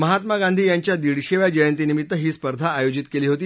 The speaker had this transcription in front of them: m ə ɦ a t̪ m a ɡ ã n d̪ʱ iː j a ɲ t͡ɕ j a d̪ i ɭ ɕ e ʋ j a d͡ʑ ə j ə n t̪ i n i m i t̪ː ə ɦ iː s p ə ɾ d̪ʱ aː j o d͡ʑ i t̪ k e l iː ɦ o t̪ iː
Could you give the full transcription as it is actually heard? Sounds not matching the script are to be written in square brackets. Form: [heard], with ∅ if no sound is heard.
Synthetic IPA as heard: m ə ɦ a t̪ m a ɡ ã n d̪ʱ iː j a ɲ t͡ɕ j a d̪ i [ɽ] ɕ e ʋ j a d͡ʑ ə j ə n t̪ i n i m i t̪ː ə ɦ iː s p ə ɾ d̪ʱ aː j o d͡ʑ i t̪ k e l iː ɦ o t̪ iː